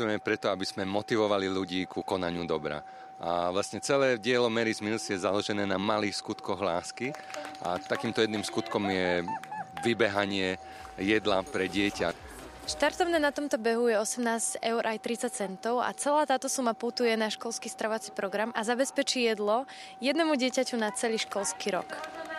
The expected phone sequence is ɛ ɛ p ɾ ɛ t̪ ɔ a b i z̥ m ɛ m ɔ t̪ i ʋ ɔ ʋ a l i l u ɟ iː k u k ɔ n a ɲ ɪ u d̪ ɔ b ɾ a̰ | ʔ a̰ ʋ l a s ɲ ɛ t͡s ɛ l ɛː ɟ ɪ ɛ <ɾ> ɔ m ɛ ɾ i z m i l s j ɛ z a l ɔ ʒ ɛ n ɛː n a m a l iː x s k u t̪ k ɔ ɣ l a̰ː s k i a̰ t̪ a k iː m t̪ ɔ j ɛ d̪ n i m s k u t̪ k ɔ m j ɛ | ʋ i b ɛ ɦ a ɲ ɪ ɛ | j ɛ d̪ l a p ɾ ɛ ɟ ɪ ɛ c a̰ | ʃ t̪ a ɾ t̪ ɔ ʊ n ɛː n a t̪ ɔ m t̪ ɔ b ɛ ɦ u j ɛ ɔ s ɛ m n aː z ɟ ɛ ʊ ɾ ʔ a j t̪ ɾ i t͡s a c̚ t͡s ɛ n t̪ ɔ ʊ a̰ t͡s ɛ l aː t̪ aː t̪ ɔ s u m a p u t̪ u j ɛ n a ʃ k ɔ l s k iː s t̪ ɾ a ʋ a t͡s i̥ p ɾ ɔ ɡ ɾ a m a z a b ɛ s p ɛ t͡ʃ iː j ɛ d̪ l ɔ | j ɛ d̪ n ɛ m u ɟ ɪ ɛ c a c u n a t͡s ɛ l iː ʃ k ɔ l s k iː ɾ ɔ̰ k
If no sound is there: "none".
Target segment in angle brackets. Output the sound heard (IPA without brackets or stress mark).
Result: l